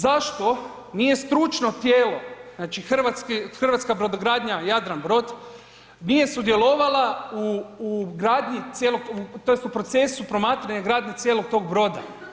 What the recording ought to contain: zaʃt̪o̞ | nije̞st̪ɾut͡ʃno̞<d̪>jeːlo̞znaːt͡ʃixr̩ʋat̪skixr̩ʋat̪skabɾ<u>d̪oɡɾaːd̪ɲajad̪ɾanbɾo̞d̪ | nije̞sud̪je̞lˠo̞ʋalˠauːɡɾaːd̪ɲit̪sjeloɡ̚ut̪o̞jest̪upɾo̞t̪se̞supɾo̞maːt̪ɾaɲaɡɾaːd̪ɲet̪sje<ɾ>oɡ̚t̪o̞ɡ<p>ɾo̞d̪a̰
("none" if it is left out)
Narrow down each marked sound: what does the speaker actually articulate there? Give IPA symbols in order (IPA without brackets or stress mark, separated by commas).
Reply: t̪, o, l, b